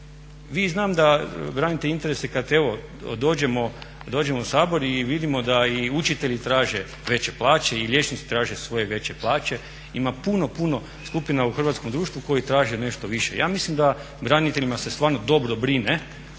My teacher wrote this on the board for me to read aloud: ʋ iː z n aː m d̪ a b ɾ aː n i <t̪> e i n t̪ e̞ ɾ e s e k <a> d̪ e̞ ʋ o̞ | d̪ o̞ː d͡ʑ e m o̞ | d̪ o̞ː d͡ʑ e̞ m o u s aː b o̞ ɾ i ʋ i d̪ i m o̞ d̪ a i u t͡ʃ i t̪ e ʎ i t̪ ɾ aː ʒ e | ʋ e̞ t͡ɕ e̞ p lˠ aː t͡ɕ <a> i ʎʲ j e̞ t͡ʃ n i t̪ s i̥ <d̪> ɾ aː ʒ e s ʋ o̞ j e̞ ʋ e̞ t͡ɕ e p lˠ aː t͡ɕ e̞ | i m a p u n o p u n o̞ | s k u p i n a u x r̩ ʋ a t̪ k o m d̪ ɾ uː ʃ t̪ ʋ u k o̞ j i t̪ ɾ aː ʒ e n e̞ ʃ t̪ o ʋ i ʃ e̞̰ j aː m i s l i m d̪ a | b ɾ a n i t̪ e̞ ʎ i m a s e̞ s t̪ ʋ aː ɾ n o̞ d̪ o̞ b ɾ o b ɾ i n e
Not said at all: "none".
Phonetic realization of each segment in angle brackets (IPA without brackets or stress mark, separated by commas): t̪, a, e, t̪